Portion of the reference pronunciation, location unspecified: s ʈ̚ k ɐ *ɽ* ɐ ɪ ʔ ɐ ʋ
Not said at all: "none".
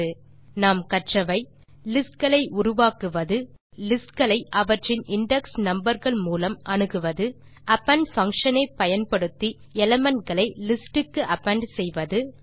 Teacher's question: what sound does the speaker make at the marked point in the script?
ɭ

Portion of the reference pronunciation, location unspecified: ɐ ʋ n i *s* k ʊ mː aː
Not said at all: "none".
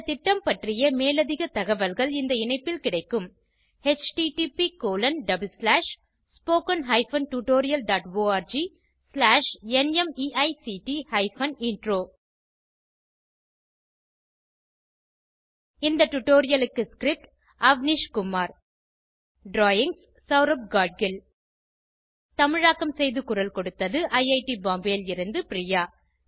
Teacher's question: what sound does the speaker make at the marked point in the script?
ʂ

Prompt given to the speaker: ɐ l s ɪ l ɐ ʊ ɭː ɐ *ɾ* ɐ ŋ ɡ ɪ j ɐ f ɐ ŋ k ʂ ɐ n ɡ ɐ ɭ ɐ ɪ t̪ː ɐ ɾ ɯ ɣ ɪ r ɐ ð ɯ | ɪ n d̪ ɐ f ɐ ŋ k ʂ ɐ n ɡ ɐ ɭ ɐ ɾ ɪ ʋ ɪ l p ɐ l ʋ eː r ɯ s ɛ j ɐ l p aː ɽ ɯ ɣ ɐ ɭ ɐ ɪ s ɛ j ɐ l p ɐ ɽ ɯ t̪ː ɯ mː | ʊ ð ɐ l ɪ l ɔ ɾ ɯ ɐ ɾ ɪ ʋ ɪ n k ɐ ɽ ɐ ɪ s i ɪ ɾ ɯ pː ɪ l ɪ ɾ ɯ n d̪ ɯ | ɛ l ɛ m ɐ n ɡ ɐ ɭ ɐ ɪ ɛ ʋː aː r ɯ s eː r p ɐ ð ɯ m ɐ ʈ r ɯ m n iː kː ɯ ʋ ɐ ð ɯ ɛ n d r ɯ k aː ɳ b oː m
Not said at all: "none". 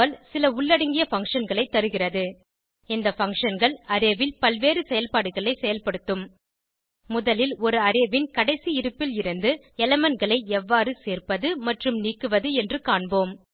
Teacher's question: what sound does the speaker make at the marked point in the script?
ɽ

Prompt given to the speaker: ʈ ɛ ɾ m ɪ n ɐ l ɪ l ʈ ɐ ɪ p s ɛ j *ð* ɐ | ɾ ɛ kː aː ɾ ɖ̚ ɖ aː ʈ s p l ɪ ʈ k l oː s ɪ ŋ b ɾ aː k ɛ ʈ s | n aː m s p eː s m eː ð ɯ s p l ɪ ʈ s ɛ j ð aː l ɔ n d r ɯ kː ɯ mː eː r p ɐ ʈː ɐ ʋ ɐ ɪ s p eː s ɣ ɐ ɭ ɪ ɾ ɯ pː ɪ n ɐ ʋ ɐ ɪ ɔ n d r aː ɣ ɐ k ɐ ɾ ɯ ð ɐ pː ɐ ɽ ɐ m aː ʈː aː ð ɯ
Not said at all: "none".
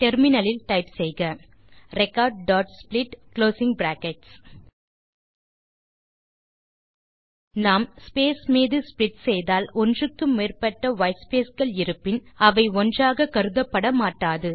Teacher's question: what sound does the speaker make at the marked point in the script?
ɣ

